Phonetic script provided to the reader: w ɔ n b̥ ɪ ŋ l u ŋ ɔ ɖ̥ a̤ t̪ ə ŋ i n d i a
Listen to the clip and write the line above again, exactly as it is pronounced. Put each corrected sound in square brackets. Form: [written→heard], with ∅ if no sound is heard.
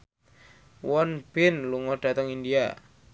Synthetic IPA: w ɔ n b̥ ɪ [ŋ→n] l u ŋ ɔ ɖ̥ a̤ t̪ ə ŋ i n d i a